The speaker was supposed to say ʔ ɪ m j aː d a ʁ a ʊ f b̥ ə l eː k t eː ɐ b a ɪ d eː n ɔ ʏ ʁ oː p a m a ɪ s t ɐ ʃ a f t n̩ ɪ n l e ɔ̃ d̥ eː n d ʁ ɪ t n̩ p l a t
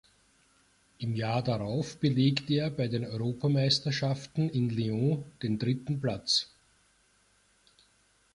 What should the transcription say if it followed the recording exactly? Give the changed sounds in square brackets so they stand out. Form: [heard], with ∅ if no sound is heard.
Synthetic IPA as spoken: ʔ ɪ m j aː d a ʁ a ʊ f b̥ ə l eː k t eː ɐ b a ɪ d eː n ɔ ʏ ʁ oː p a m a ɪ s t ɐ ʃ a f t n̩ ɪ n l e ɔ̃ d̥ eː n d ʁ ɪ t n̩ p l a [t͡s]

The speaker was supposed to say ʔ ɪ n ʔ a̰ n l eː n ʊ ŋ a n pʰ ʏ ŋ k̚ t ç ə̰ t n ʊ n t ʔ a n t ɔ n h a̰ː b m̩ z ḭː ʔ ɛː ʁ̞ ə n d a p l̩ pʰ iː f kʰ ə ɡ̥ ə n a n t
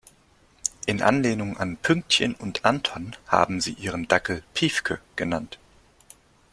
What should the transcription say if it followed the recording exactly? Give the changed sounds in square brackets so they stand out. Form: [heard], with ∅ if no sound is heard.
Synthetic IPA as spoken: ʔ ɪ n ʔ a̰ n l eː n ʊ ŋ a n pʰ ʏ ŋ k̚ t ç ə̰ [∅] n ʊ n t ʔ a n [tʰ] ɔ n h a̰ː b m̩ z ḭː ʔ [iː] ʁ̞ ə n d a [k] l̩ pʰ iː f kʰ ə ɡ̥ ə n a n t

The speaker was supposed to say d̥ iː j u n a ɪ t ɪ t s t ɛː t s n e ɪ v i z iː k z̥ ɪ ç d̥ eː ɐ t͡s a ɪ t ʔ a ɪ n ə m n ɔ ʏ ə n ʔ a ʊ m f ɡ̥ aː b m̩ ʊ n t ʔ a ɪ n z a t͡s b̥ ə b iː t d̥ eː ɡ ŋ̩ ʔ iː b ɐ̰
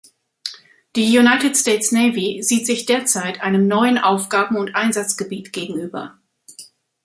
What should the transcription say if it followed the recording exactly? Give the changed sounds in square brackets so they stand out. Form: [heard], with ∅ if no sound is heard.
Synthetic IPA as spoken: d̥ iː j u n a ɪ t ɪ t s t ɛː t s n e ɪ v i z iː [t] z̥ ɪ ç d̥ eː ɐ t͡s a ɪ t ʔ a ɪ n ə m n ɔ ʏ ə n ʔ a ʊ [∅] f ɡ̥ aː b m̩ ʊ n t ʔ a ɪ n z a t͡s [ɡ̥] ə b iː t [ɡ̥] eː ɡ ŋ̩ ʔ [yː] b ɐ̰

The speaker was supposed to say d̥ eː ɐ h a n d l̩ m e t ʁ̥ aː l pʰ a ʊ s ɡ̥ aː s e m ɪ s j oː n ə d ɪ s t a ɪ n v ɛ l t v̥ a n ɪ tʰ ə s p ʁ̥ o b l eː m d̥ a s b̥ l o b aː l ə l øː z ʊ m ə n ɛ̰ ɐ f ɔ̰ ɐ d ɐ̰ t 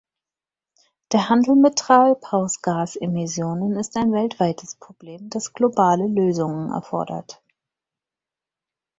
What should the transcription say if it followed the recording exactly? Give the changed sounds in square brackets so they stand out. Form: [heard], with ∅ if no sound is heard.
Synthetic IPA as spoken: d̥ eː ɐ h a n d l̩ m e t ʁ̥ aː l pʰ a ʊ s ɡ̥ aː s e m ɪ s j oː n ə [n] ɪ s t a ɪ n v ɛ l t v̥ a [∅] ɪ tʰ ə s p ʁ̥ o b l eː m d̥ a s [ɡ̥] l o b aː l ə l øː z ʊ [ŋ] ə n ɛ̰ ɐ f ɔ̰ ɐ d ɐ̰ t

